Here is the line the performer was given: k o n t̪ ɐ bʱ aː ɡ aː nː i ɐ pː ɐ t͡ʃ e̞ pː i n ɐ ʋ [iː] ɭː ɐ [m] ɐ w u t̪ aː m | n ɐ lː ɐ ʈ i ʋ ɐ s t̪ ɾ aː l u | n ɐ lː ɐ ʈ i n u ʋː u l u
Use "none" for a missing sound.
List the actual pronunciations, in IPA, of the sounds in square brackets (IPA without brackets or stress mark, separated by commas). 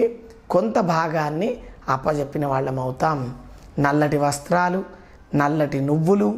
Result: aː, m